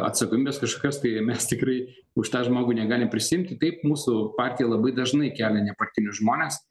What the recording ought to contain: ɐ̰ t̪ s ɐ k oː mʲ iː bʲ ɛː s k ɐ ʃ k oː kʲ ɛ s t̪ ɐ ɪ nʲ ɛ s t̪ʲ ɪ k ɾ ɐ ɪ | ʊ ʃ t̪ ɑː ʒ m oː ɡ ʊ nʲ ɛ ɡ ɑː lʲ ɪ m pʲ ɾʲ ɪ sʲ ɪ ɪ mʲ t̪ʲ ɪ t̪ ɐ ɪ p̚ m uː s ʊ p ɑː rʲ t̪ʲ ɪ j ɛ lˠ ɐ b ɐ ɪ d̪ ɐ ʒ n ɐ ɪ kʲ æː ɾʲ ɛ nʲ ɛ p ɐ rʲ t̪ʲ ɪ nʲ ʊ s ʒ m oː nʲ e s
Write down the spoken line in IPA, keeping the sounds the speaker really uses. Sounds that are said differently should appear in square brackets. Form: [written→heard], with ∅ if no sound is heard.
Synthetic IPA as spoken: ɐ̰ t̪ s ɐ k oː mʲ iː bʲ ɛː s k ɐ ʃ k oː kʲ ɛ s t̪ ɐ ɪ [nʲ→mʲ] ɛ s t̪ʲ ɪ k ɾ ɐ ɪ | ʊ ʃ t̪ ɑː ʒ m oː ɡ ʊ nʲ ɛ ɡ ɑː lʲ ɪ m pʲ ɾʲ ɪ sʲ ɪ ɪ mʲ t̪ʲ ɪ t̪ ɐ ɪ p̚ m uː s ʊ p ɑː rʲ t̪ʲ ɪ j ɛ lˠ ɐ b ɐ ɪ d̪ ɐ ʒ n ɐ ɪ kʲ æː [ɾʲ→lʲ] ɛ nʲ ɛ p ɐ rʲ t̪ʲ ɪ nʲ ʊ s ʒ m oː nʲ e s

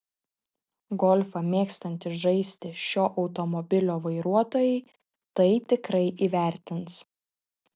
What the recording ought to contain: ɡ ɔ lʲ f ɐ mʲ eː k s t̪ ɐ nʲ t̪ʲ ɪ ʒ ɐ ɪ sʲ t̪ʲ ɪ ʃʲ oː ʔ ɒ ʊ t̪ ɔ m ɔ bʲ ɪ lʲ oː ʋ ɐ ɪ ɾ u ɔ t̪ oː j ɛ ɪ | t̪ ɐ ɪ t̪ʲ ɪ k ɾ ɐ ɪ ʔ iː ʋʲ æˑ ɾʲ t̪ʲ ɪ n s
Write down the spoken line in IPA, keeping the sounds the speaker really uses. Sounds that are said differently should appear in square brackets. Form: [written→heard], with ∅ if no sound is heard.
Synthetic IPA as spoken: ɡ ɔ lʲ f ɐ mʲ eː k s t̪ ɐ nʲ t̪ʲ ɪ ʒ ɐ ɪ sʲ t̪ʲ ɪ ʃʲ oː ʔ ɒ ʊ t̪ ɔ m ɔ bʲ ɪ lʲ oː ʋ ɐ ɪ ɾ u ɔ t̪ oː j ɛ ɪ | t̪ ɐ ɪ t̪ʲ ɪ k ɾ ɐ ɪ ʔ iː ʋʲ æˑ ɾʲ t̪ʲ ɪ n s

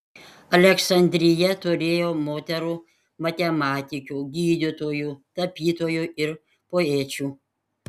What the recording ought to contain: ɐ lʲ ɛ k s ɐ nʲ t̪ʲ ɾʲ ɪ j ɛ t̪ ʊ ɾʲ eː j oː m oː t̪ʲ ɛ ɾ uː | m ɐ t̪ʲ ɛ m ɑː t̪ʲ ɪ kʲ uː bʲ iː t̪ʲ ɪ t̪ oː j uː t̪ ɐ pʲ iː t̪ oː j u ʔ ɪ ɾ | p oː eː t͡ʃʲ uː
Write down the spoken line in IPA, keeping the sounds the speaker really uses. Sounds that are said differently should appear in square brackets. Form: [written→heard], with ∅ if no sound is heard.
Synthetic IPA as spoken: ɐ lʲ ɛ k s ɐ nʲ [t̪ʲ→d̪ʲ] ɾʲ ɪ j ɛ t̪ ʊ ɾʲ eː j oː m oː t̪ʲ ɛ ɾ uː | m ɐ t̪ʲ ɛ m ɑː t̪ʲ ɪ kʲ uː [bʲ→ɡʲ] iː [t̪ʲ→d̪ʲ] ɪ t̪ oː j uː t̪ ɐ pʲ iː t̪ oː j u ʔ ɪ ɾ | p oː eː t͡ʃʲ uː

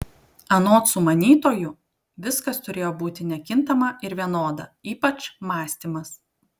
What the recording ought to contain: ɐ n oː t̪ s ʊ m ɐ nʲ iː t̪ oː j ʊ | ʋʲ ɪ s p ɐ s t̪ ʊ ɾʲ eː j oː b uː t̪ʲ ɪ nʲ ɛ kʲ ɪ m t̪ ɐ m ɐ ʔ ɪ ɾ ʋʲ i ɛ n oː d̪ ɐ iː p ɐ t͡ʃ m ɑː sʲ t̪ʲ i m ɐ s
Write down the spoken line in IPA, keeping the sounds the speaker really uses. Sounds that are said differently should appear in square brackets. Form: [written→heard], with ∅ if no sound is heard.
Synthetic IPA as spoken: ɐ n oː t̪ s ʊ m ɐ nʲ iː t̪ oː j ʊ | ʋʲ ɪ s [p→k] ɐ s t̪ ʊ ɾʲ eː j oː b uː t̪ʲ ɪ nʲ ɛ kʲ ɪ [m→n] t̪ ɐ m ɐ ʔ ɪ ɾ ʋʲ i ɛ n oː d̪ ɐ iː p ɐ t͡ʃ m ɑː sʲ t̪ʲ i m ɐ s

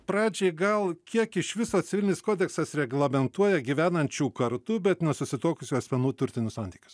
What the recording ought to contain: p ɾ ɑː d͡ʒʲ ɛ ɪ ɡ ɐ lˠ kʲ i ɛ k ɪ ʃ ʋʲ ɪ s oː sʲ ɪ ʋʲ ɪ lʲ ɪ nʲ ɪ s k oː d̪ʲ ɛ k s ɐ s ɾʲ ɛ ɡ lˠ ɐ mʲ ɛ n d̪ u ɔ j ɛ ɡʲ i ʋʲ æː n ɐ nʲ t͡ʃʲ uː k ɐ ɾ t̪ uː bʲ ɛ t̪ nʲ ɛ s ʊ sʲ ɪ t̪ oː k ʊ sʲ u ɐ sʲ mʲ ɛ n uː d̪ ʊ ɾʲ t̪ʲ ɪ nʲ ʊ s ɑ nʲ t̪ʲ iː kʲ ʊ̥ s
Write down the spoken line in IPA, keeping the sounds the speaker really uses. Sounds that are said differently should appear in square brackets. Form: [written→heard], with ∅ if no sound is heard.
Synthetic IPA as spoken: p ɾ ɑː d͡ʒʲ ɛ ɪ ɡ ɐ lˠ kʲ i ɛ k ɪ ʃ ʋʲ ɪ s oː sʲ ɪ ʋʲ ɪ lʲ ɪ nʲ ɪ s k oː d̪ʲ ɛ k s ɐ s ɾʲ ɛ ɡ lˠ ɐ mʲ ɛ n [d̪→t̪] u ɔ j ɛ ɡʲ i ʋʲ æː n ɐ nʲ t͡ʃʲ uː k ɐ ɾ t̪ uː bʲ ɛ t̪ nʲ ɛ s ʊ sʲ ɪ t̪ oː k ʊ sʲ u ɐ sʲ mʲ ɛ n uː [d̪→t̪] ʊ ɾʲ t̪ʲ ɪ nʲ ʊ s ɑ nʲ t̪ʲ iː kʲ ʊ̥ s

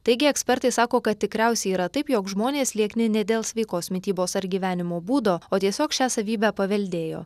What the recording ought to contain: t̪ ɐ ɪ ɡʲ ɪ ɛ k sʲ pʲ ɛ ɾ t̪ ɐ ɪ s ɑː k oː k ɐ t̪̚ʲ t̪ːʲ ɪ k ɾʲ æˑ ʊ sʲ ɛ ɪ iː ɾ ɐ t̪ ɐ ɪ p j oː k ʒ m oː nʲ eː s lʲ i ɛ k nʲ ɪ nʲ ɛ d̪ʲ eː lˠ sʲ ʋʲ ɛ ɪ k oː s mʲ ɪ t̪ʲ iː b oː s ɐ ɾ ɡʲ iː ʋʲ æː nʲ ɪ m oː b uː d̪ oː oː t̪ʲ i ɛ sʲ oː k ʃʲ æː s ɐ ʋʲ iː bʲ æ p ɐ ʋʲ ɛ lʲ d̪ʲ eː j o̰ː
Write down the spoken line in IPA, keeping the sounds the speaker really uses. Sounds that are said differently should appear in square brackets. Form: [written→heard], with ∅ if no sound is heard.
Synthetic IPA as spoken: t̪ ɐ ɪ ɡʲ ɪ ɛ k sʲ pʲ ɛ ɾ t̪ ɐ ɪ s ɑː k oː k ɐ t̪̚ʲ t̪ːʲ ɪ k ɾʲ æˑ ʊ sʲ ɛ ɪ iː ɾ ɐ t̪ ɐ ɪ p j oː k ʒ m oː nʲ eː s lʲ i ɛ k nʲ ɪ nʲ ɛ d̪ʲ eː lˠ sʲ ʋʲ ɛ ɪ k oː s mʲ ɪ t̪ʲ iː b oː s ɐ ɾ ɡʲ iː ʋʲ æː nʲ ɪ m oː b uː d̪ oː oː t̪ʲ i ɛ sʲ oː k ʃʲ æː s ɐ ʋʲ iː bʲ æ p ɐ ʋʲ ɛ lʲ d̪ʲ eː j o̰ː

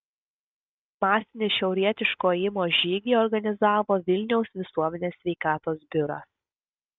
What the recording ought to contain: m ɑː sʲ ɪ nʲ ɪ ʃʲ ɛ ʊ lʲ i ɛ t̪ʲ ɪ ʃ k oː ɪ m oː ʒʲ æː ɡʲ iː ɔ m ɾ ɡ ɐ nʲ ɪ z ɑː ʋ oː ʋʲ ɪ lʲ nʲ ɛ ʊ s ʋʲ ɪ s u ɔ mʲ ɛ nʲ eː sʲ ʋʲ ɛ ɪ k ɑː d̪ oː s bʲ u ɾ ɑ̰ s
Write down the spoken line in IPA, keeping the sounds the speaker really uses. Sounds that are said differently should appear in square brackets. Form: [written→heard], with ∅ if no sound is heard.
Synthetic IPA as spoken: m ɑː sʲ ɪ nʲ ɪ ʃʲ ɛ ʊ [lʲ→ɾʲ] i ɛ t̪ʲ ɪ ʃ k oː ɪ m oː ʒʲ [æː→iː] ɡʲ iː ɔ [m→∅] ɾ ɡ ɐ nʲ ɪ z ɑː ʋ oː ʋʲ ɪ lʲ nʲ ɛ ʊ s ʋʲ ɪ s u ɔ mʲ ɛ nʲ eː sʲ ʋʲ ɛ ɪ k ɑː [d̪→t̪] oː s bʲ [u→ʊ] ɾ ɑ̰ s

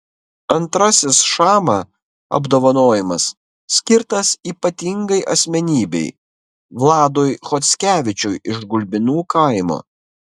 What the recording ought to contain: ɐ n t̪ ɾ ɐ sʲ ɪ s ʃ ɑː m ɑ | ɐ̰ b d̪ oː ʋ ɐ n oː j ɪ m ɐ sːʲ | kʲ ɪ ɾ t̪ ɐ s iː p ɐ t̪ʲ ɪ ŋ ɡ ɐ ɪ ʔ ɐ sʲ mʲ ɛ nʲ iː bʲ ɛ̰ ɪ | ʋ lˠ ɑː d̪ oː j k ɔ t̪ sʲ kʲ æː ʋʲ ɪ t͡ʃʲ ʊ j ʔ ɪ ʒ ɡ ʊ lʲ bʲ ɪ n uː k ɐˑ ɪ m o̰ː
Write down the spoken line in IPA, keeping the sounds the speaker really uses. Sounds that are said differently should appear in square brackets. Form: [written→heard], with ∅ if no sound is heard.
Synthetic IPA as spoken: ɐ n t̪ ɾ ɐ sʲ ɪ s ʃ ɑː m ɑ | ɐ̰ b d̪ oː ʋ ɐ n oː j ɪ m ɐ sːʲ | kʲ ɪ ɾ t̪ ɐ s iː p ɐ t̪ʲ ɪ ŋ ɡ ɐ ɪ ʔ ɐ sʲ mʲ ɛ nʲ iː bʲ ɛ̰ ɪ | ʋ lˠ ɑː d̪ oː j [k→x] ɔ t̪ sʲ kʲ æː ʋʲ ɪ t͡ʃʲ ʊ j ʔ ɪ ʒ ɡ ʊ lʲ bʲ ɪ n uː k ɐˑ ɪ m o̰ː

